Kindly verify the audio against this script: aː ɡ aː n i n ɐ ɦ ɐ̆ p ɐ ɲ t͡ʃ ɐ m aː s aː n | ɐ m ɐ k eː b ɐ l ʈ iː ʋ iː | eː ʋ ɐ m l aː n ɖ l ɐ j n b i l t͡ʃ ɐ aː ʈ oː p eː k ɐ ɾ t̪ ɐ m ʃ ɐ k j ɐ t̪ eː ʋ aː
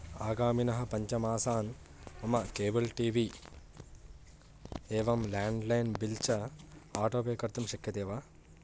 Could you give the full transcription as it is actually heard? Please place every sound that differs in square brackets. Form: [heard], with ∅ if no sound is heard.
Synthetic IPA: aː ɡ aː [m] i n ɐ ɦ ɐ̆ p ɐ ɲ t͡ʃ ɐ m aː s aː n | ɐ m ɐ k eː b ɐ l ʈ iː ʋ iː | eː ʋ ɐ m l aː [ɳ] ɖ l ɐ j n b i l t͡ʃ ɐ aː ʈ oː p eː k ɐ ɾ t̪ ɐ m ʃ ɐ k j ɐ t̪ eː ʋ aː